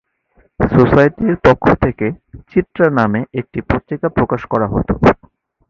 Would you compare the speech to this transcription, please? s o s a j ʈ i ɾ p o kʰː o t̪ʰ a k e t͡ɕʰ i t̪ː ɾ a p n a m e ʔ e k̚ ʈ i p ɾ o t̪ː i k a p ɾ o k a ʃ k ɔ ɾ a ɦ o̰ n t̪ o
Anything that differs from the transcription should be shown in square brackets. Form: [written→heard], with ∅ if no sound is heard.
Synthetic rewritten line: s o s a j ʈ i ɾ p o kʰː o t̪ʰ [a→e] k e [t͡ɕʰ→t͡ɕ] i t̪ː ɾ a [p→∅] n a m e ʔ e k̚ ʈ i p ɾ o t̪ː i k a p ɾ o k a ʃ k ɔ ɾ a ɦ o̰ [n→∅] t̪ o

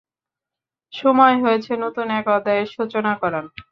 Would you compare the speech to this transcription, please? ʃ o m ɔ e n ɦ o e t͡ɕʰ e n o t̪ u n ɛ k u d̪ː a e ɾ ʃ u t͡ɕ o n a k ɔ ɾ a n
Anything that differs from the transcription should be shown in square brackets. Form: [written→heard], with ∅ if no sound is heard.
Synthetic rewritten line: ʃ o m ɔ e [n→∅] ɦ o e t͡ɕʰ e n o t̪ u n ɛ k [u→ɔ] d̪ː a e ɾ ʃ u t͡ɕ o n a k ɔ ɾ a n

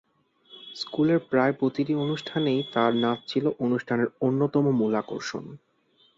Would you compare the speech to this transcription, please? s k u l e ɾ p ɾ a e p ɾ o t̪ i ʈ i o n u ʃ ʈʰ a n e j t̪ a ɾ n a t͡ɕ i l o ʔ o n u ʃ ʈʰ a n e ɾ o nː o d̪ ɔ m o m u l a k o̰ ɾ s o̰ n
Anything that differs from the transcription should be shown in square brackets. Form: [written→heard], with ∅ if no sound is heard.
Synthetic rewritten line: s k u l e ɾ p ɾ a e p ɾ o t̪ i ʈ i o n u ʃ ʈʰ a n e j t̪ a ɾ n a [t͡ɕ→t͡ɕʰ] i l o ʔ o n u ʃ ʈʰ a n e ɾ o nː o [d̪→t̪] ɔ m o m u l a k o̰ ɾ [s→ʃ] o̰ n

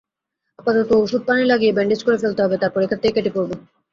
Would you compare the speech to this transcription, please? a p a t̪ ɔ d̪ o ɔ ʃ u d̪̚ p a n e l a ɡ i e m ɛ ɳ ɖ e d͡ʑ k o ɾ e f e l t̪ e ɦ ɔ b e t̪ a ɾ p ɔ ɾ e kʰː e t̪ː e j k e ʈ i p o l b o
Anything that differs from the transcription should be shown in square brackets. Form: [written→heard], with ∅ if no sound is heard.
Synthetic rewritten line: a p a t̪ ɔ [d̪→t̪] o [ɔ→o] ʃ u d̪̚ p a n e l a ɡ i e [m→b] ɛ ɳ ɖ e d͡ʑ k o ɾ e f e l t̪ e ɦ ɔ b e t̪ a ɾ p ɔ ɾ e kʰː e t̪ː e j k e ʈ i p o [l→ɾ] b o

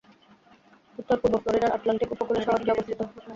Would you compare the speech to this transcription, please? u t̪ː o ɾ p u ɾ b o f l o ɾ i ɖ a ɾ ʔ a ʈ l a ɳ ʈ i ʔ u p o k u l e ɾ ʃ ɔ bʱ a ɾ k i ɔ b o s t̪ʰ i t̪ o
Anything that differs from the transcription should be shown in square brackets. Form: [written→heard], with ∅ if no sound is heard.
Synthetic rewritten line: u t̪ː o ɾ p u ɾ b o f l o ɾ i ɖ a ɾ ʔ a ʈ l a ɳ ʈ i [ʔ→k] u p o k u l e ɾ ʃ ɔ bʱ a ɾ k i ɔ b o s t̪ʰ i t̪ o

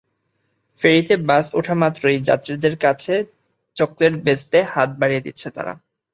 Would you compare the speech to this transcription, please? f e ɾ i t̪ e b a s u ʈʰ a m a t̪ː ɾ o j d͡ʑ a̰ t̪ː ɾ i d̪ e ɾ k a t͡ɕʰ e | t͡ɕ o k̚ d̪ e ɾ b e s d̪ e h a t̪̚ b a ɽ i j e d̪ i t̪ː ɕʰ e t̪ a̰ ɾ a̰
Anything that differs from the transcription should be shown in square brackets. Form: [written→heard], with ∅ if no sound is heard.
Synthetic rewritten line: f e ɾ i t̪ e b a s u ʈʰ a m a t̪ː ɾ o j d͡ʑ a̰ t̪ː ɾ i d̪ e ɾ k a t͡ɕʰ e | t͡ɕ o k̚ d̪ e ɾ b e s [d̪→t̪] e h a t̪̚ b a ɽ i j e d̪ i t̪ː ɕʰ e t̪ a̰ ɾ a̰

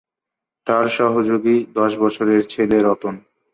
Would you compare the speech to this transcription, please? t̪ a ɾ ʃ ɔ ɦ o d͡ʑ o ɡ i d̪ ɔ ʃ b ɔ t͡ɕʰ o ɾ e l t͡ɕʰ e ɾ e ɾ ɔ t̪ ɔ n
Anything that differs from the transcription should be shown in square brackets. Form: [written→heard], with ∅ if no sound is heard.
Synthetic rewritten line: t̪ a ɾ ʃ ɔ ɦ o d͡ʑ o ɡ i d̪ ɔ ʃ b ɔ t͡ɕʰ o ɾ e [l→ɾ] t͡ɕʰ e [ɾ→l] e ɾ ɔ t̪ [ɔ→o] n

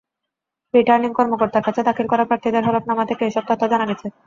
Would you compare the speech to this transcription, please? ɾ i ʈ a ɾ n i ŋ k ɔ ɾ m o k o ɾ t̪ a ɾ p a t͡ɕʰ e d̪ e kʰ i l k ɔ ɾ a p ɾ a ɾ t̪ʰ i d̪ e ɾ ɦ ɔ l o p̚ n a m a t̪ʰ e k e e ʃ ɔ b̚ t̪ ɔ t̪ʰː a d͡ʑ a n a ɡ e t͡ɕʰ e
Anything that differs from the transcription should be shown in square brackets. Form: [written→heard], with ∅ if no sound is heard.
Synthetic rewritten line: ɾ i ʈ a ɾ n i ŋ k ɔ ɾ m o k o ɾ t̪ a ɾ [p→k] a t͡ɕʰ e d̪ [e→a] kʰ i l k ɔ ɾ a p ɾ a ɾ t̪ʰ i d̪ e ɾ ɦ ɔ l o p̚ n a m a t̪ʰ e k e e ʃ ɔ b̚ t̪ ɔ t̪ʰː a d͡ʑ a n a ɡ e t͡ɕʰ e

